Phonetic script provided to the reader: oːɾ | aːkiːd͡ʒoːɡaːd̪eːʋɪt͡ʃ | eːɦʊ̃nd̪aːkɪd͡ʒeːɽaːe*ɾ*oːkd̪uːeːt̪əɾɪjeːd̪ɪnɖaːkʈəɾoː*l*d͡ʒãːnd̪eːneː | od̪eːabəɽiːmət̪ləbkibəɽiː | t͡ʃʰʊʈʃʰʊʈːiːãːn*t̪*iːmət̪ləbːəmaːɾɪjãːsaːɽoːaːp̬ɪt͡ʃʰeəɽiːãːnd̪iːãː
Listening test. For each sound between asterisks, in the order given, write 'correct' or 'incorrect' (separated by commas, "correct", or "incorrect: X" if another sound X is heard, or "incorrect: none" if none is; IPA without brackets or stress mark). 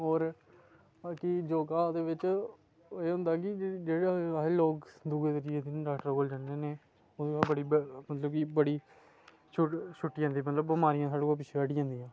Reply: incorrect: l, correct, incorrect: d̪